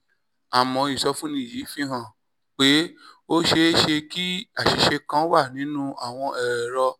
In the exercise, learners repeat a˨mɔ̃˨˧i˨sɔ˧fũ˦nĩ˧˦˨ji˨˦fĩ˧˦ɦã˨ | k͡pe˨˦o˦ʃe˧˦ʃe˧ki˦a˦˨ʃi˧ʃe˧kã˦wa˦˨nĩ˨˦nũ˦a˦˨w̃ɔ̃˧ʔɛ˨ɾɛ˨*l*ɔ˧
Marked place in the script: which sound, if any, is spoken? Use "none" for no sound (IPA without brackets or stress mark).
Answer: ɾ